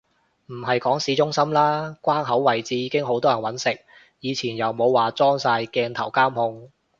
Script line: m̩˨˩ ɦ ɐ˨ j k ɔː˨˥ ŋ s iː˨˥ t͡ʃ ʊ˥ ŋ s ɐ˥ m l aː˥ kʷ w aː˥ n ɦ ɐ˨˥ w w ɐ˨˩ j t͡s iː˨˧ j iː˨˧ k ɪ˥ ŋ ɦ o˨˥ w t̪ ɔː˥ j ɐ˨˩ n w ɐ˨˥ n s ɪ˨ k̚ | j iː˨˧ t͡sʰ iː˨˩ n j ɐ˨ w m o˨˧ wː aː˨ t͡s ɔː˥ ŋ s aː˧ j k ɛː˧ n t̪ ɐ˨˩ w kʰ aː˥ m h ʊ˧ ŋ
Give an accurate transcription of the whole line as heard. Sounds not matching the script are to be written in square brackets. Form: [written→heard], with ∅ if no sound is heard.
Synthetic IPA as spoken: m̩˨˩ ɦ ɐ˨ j k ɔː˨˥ ŋ s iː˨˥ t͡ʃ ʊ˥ ŋ s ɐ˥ m l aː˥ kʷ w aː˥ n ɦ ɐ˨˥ w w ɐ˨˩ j t͡s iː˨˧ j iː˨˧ k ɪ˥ ŋ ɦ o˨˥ w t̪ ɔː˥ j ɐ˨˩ n w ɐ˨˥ n s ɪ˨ k̚ | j iː˨˧ t͡sʰ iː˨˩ n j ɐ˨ w m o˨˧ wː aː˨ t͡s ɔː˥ ŋ s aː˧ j k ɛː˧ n [t̪→t̪ʰ] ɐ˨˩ w [kʰ→k] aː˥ m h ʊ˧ ŋ